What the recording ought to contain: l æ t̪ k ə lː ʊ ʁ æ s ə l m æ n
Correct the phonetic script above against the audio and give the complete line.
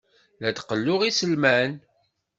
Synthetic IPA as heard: l æ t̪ q ə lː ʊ ʁ i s ə l m æ n